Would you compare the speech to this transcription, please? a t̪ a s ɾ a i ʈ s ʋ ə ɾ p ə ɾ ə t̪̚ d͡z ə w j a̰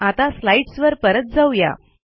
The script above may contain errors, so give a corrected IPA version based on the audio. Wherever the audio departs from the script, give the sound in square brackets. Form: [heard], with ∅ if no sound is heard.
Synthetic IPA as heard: a t̪ a s [l] a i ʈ s ʋ ə ɾ p ə ɾ ə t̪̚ d͡z [a] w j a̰